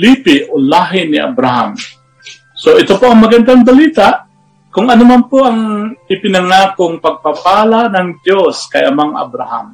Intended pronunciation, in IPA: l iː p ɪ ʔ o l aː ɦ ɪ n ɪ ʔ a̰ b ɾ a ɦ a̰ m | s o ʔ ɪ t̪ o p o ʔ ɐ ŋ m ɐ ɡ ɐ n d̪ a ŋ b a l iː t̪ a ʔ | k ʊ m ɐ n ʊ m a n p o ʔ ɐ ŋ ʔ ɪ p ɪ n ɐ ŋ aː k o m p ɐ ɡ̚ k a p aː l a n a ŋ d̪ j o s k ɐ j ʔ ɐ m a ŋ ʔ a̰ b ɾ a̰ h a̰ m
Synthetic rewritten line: l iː p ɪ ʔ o l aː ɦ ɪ n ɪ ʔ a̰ b ɾ a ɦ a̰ m | s o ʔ ɪ t̪ o p o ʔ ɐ ŋ m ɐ ɡ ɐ n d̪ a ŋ b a l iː t̪ a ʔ | k ʊ ŋ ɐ n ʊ m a n p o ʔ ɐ ŋ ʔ ɪ p ɪ n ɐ ŋ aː k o ŋ p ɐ ɡ̚ p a p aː l a n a ŋ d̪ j o s k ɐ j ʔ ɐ m a ŋ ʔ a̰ b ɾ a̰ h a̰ m